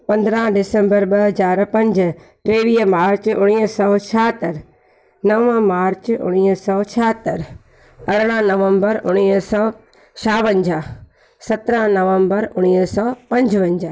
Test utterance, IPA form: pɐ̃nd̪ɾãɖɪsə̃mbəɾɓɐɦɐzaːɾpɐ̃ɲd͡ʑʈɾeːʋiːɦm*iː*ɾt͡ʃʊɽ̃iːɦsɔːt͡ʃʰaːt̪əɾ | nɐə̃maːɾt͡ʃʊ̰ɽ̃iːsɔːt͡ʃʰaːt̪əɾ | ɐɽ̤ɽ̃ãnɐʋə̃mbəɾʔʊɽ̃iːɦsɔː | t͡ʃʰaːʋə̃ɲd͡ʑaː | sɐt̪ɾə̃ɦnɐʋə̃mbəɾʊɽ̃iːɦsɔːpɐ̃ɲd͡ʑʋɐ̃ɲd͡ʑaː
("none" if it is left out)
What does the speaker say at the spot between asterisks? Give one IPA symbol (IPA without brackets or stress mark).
aː